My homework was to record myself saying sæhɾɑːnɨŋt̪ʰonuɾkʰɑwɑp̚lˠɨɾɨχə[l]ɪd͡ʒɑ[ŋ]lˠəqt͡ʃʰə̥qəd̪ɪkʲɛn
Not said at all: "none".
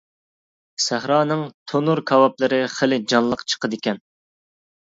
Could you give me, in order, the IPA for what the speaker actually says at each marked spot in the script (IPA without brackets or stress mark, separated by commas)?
l, n